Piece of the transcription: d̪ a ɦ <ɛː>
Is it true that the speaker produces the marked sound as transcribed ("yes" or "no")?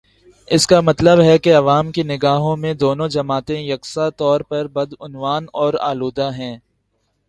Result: no